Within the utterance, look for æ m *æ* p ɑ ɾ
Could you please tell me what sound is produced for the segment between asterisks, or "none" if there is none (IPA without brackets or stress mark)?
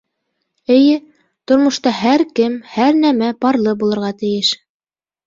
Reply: æ